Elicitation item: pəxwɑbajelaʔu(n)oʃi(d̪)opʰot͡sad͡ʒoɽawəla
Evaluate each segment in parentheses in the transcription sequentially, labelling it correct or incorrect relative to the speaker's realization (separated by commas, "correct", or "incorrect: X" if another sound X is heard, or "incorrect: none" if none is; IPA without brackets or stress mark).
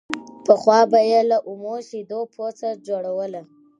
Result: incorrect: m, correct